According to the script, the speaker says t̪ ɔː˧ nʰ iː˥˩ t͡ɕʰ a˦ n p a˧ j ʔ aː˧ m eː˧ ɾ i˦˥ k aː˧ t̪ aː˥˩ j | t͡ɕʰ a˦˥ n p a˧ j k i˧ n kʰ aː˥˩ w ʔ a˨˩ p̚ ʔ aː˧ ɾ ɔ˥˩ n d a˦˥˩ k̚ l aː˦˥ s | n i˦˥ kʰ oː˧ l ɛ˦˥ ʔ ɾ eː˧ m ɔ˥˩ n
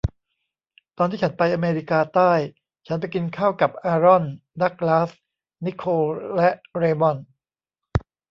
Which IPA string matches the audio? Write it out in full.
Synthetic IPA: t̪ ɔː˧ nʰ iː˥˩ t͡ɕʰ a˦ n p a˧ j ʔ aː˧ m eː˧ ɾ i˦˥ k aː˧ t̪ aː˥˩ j | t͡ɕʰ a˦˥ n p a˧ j k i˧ n kʰ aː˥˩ w k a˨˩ p̚ ʔ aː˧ ɾ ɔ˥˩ n d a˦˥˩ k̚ l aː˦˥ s | n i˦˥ kʰ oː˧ l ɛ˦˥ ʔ ɾ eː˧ m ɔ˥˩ n

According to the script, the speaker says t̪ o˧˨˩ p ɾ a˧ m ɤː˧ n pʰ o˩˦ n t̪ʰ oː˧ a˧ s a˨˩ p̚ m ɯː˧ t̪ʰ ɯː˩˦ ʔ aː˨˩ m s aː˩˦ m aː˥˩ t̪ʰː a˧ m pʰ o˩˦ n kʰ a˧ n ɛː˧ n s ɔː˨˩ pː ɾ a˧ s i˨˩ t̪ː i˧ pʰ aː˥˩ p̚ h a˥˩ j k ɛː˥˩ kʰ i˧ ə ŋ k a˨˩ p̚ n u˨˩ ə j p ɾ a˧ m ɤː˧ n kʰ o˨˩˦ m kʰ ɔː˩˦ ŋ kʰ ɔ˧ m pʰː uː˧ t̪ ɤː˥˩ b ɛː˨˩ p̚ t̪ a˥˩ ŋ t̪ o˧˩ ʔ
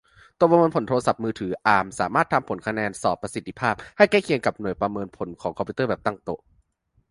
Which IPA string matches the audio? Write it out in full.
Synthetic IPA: t̪ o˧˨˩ p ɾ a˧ m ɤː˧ n pʰ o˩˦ n t̪ʰ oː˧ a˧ s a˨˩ p̚ m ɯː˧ t̪ʰ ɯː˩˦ ʔ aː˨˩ m s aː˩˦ m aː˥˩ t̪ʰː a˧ m pʰ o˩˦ n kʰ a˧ n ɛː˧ n s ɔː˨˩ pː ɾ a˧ s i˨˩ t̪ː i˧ pʰ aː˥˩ p̚ h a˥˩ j k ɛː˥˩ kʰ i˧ ə ŋ k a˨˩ p̚ n u˨˩ ə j p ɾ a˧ m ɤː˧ n pʰ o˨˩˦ n kʰ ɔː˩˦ ŋ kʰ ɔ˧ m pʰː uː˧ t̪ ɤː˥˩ b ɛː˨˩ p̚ t̪ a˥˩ ŋ t̪ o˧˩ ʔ

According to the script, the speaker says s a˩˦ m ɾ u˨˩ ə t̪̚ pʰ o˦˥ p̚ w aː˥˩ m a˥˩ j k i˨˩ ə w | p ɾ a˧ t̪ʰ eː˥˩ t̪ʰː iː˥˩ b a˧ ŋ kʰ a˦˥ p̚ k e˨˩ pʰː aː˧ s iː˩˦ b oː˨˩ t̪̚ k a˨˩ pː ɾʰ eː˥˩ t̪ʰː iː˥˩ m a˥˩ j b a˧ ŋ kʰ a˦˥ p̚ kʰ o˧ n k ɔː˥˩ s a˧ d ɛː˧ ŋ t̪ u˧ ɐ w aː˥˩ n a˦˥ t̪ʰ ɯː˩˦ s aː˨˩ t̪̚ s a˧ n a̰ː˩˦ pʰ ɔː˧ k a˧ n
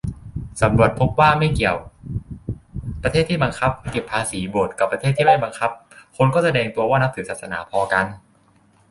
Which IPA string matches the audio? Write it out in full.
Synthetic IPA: s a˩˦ m ɾ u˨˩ ə t̪̚ pʰ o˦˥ p̚ w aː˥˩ m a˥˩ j k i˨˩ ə w | p ɾ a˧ t̪ʰ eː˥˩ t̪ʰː iː˥˩ b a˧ ŋ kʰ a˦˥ p̚ k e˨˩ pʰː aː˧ s iː˩˦ b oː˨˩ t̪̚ k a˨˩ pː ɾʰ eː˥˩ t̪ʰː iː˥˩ m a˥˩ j b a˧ ŋ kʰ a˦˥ p̚ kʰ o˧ n k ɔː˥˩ s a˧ d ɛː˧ ŋ t̪ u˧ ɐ w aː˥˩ n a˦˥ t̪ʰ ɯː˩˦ s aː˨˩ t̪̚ s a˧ n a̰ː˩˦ pʰ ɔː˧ k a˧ n

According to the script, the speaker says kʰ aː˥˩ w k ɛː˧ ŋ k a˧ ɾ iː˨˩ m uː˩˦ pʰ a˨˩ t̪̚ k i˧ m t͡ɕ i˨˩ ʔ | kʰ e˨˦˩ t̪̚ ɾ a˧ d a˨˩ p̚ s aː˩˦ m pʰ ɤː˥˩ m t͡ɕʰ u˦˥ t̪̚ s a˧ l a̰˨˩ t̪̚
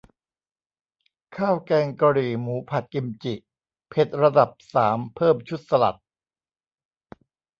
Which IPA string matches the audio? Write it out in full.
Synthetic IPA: kʰ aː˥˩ w k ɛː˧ ŋ k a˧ ɾ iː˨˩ m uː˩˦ pʰ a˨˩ t̪̚ k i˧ m t͡ɕ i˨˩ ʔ | pʰ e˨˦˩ t̪̚ ɾ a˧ d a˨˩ p̚ s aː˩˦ m pʰ ɤː˥˩ m t͡ɕʰ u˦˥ t̪̚ s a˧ l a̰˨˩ t̪̚

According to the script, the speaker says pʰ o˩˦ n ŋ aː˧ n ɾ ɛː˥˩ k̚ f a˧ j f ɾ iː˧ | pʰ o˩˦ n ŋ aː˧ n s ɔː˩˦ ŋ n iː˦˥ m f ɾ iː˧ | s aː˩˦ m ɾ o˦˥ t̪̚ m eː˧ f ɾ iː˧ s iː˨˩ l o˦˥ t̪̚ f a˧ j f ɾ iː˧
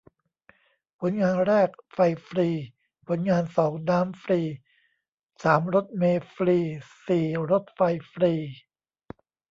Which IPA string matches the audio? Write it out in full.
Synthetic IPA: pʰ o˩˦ n ŋ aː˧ n ɾ ɛː˥˩ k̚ f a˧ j f ɾ iː˧ | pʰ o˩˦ n ŋ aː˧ n s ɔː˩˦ ŋ n aː˦˥ m f ɾ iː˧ | s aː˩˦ m ɾ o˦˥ t̪̚ m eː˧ f ɾ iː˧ s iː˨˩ ɾ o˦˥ t̪̚ f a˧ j f ɾ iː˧

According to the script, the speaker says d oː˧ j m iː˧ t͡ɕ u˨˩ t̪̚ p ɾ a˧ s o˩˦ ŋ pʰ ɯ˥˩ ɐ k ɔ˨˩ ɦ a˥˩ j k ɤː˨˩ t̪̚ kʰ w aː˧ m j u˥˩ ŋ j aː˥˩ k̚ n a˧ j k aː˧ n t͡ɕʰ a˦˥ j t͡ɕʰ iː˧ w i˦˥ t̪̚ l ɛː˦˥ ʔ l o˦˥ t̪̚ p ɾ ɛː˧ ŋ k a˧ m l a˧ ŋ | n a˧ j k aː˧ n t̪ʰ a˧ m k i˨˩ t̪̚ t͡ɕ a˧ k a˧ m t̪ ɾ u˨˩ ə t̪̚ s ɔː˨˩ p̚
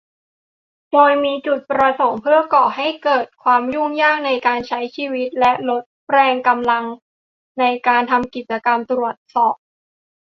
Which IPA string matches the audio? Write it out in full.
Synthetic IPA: d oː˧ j m iː˧ t͡ɕ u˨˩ t̪̚ p ɾ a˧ s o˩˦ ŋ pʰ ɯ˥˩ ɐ k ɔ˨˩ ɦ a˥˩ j k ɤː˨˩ t̪̚ kʰ w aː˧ m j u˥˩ ŋ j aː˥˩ k̚ n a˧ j k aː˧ n t͡ɕʰ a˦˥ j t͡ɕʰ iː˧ w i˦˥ t̪̚ l ɛ˦˥ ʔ l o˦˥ t̪̚ p ɾ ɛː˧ ŋ k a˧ m l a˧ ŋ | n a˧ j k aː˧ n t̪ʰ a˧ m k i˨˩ t̪̚ t͡ɕ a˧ k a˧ m t̪ ɾ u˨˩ ə t̪̚ s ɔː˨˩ p̚

